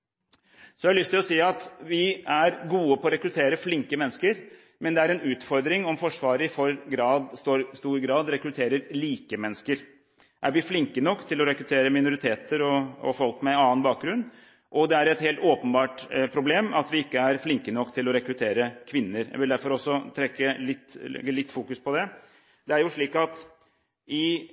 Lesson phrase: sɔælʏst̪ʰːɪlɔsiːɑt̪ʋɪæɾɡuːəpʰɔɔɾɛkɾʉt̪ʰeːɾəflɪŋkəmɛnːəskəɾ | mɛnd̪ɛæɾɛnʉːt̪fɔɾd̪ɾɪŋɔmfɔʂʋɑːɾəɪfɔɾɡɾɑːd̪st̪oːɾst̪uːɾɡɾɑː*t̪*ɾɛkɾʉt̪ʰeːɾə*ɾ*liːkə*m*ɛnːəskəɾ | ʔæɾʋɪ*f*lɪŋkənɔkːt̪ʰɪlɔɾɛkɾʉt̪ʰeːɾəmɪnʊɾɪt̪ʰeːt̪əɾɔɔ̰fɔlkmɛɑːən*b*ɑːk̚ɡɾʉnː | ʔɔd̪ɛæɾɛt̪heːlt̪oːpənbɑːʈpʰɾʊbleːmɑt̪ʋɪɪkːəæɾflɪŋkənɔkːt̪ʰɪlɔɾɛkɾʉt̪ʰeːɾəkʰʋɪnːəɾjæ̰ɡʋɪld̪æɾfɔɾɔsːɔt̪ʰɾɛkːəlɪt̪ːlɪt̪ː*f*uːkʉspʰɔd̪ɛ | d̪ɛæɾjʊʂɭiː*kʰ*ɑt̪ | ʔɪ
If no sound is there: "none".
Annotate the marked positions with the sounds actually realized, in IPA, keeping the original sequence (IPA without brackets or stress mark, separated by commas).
d̪, ɾ, m, f, b, f, k